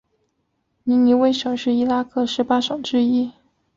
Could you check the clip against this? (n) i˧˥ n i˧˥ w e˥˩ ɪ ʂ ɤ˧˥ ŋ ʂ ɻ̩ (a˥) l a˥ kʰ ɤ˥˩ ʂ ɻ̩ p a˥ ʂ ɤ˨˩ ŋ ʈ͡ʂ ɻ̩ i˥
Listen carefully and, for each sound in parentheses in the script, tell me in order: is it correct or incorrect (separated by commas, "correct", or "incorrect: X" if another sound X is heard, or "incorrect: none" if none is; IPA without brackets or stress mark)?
correct, incorrect: i˥